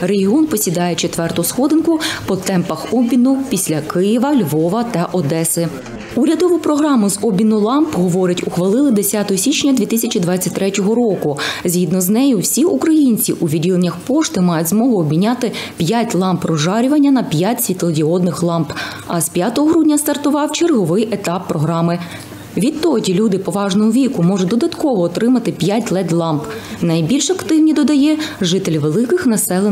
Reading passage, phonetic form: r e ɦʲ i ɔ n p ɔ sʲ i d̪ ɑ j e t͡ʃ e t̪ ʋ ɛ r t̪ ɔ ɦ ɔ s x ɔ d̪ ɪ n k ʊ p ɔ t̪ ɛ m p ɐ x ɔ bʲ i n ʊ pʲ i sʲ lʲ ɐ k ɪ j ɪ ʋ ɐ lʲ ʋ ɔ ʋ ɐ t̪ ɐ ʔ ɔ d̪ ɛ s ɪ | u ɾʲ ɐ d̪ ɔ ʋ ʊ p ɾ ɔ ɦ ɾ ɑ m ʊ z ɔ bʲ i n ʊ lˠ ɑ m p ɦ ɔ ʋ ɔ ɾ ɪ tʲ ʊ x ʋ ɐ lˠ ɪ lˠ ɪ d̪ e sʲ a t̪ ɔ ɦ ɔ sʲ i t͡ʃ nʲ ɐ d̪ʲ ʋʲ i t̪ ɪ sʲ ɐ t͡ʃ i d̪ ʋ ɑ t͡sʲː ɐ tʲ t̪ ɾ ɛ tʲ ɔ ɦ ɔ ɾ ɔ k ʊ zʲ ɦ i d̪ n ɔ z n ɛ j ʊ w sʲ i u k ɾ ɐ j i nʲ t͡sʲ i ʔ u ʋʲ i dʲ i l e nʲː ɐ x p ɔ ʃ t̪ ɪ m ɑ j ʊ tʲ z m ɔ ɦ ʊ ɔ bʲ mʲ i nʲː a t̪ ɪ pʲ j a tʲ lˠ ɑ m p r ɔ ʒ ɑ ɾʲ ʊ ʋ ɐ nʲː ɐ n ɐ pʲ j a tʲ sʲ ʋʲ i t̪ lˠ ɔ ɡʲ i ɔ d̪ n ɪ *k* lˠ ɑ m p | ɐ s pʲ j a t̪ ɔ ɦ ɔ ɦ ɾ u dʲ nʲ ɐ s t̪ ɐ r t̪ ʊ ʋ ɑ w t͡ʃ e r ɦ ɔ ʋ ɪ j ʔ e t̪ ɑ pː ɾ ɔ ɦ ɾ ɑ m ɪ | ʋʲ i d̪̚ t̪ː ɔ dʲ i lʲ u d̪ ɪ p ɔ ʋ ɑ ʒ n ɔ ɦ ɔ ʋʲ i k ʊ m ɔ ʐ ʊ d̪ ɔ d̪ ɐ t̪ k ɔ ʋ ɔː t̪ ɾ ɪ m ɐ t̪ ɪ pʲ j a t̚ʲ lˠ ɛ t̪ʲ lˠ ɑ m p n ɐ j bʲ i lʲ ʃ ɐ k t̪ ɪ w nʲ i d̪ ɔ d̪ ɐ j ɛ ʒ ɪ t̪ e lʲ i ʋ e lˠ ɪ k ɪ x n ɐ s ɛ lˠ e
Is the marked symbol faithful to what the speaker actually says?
no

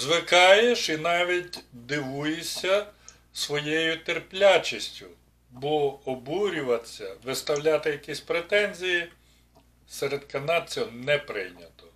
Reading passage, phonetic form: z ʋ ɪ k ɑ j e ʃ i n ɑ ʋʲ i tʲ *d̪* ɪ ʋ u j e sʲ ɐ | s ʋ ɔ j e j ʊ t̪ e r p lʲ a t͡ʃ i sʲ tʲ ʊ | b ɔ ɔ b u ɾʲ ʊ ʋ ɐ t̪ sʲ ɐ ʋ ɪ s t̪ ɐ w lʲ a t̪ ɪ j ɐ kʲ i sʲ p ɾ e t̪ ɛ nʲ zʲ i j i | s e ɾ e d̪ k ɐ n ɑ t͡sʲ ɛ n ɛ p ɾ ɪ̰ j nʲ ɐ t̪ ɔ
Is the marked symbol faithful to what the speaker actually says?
yes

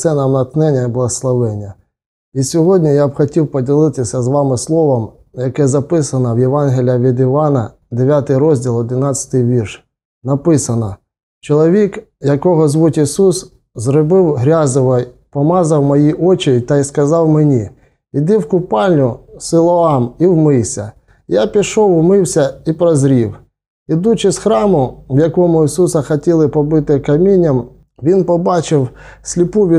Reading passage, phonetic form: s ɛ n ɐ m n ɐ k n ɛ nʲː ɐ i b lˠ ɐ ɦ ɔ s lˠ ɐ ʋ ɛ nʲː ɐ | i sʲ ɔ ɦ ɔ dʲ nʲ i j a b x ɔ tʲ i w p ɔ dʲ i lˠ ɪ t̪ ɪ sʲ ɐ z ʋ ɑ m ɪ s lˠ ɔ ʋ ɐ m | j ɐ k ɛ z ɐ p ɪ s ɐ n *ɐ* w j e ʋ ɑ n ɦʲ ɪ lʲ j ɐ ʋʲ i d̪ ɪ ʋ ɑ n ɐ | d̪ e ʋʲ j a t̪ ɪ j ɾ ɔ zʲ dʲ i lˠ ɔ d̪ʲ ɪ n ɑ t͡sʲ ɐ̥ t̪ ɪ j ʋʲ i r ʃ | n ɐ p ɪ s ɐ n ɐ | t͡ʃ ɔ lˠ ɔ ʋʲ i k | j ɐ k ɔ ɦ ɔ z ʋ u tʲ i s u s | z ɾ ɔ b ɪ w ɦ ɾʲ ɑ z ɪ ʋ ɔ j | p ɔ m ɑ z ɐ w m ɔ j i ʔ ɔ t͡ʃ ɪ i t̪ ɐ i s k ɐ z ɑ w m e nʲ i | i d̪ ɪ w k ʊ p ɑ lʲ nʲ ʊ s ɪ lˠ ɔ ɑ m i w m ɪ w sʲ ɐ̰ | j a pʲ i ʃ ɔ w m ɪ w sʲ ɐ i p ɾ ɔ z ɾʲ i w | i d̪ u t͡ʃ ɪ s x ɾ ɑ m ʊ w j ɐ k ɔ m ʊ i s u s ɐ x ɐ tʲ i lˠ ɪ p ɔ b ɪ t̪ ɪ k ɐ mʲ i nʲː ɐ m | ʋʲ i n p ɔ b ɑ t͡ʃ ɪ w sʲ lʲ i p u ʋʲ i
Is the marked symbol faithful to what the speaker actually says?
yes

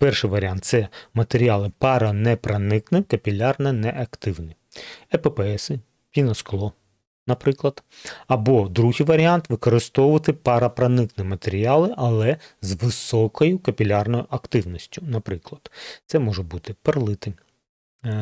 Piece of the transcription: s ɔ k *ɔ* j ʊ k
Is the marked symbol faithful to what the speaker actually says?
yes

